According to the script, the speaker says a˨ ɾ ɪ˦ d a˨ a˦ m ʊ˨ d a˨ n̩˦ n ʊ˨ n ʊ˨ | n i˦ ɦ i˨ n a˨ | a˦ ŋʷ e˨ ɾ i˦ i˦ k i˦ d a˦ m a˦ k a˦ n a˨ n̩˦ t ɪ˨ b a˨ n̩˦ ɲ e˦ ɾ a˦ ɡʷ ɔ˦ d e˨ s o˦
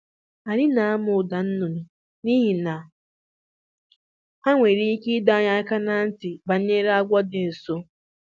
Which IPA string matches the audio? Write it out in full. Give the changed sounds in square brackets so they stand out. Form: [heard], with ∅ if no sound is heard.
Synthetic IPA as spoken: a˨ ɾ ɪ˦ [n] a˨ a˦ m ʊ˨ d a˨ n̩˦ n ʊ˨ n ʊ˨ | n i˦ ɦ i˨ n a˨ | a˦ ŋʷ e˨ ɾ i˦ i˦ k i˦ d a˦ [ɲ] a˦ k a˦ n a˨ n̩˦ t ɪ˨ b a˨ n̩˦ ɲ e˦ ɾ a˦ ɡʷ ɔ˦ d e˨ s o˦